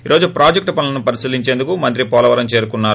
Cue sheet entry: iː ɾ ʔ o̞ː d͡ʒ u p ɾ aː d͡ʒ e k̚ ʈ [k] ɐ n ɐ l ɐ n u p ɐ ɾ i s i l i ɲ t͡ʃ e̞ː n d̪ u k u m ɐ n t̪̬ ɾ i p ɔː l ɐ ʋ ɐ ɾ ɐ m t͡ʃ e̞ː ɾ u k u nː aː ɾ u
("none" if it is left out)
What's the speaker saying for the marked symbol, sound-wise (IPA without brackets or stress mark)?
p